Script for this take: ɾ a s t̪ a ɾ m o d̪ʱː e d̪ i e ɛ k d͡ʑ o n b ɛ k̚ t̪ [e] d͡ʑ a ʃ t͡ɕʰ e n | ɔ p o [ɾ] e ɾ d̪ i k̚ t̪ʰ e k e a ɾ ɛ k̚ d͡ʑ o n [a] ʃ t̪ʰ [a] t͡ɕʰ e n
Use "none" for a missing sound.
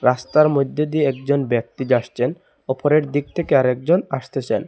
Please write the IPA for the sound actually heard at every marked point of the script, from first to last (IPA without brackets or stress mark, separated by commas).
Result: i, ɾ, a, e